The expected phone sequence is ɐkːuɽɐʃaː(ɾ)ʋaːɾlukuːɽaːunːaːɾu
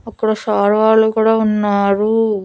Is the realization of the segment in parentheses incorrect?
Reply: no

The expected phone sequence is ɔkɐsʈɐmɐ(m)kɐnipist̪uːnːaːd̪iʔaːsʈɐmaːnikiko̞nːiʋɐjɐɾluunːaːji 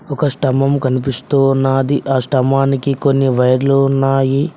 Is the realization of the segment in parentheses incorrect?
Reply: no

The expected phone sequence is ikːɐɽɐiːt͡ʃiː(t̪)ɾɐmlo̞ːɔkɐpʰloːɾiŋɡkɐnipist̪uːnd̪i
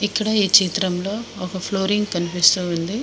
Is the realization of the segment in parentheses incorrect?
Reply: no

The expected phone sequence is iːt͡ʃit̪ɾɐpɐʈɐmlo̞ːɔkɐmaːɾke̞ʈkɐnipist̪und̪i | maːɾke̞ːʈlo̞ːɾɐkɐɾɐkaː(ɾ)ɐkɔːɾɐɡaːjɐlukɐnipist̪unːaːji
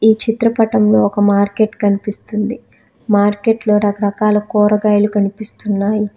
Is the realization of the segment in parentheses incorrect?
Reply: yes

